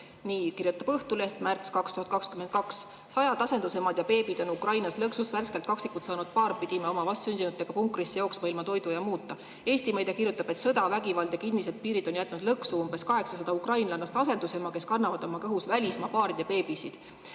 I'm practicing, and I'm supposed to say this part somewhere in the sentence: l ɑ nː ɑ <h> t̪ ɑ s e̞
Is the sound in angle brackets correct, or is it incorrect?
incorrect